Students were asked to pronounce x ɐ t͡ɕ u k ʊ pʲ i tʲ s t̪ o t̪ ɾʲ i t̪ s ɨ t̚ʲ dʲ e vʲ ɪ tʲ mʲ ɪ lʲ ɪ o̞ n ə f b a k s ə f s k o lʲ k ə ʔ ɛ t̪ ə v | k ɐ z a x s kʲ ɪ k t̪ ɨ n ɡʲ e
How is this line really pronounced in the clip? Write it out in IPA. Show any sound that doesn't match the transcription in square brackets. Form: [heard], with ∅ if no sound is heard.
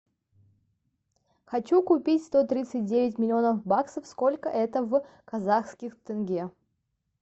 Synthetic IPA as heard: x ɐ t͡ɕ u k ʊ pʲ i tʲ s t̪ o t̪ ɾʲ i t̪ s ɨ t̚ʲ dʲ e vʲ ɪ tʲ mʲ ɪ lʲ ɪ o̞ n ə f b a k s ə f s k o lʲ k ə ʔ ɛ t̪ ə v | k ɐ z a x s kʲ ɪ [x] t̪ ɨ n ɡʲ e